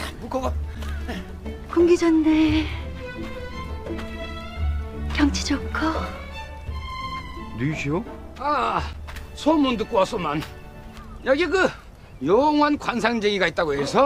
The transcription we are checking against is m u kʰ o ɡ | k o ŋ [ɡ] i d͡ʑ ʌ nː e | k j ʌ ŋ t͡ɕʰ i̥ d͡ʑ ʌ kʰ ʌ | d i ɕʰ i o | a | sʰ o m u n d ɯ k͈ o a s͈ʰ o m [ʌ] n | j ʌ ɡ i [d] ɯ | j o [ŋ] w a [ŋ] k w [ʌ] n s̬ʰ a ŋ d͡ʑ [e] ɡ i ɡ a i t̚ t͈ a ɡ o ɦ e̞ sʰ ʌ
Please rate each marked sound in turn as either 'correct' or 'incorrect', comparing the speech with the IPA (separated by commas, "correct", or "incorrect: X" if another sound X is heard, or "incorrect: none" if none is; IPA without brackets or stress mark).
correct, incorrect: a, incorrect: ɡ, correct, incorrect: n, incorrect: a, correct